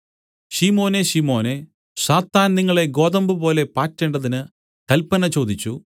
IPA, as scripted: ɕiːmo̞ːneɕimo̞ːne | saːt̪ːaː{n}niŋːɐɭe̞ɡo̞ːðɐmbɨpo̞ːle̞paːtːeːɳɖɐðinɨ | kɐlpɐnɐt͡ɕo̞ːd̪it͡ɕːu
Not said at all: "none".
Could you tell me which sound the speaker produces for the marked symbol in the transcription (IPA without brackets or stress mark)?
n